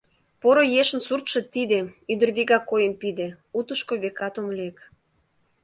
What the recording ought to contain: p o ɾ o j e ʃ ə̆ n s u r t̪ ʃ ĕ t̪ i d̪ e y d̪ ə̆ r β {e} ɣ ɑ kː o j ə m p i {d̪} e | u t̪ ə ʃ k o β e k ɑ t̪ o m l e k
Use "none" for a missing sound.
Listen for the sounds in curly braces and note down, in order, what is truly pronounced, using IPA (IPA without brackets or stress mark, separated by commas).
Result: i, d̪